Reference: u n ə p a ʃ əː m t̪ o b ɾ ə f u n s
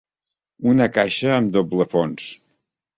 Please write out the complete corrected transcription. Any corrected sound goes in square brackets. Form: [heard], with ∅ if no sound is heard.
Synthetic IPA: u n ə [k] a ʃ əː m [d̪] o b [l] ə f [o] n s